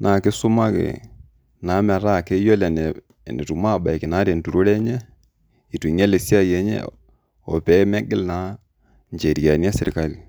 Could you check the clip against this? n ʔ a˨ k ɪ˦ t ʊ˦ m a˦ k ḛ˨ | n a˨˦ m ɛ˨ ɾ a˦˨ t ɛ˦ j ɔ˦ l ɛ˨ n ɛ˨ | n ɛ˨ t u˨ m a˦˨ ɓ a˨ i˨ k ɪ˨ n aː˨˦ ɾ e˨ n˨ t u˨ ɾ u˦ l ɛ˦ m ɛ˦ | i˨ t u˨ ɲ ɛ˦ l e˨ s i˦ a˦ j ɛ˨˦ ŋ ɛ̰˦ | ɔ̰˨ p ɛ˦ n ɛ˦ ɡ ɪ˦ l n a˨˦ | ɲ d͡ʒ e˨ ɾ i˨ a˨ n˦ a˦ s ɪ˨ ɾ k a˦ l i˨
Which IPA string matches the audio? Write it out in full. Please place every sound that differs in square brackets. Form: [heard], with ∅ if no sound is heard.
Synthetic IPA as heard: n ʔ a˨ k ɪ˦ [s] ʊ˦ m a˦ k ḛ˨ | n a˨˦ m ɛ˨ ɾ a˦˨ [k] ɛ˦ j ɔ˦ l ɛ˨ n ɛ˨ | n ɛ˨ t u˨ m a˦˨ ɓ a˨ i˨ k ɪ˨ n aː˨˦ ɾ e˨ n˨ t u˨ ɾ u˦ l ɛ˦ [ɲ] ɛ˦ | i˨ t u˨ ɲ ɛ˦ l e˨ s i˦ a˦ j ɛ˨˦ [ɲ] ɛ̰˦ | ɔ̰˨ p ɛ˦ [m] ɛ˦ ɡ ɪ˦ l n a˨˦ | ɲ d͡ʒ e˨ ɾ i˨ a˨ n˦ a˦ s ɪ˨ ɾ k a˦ l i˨